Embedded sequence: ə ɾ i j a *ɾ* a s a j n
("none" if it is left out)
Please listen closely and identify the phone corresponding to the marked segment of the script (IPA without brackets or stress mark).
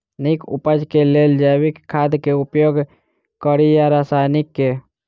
ɾ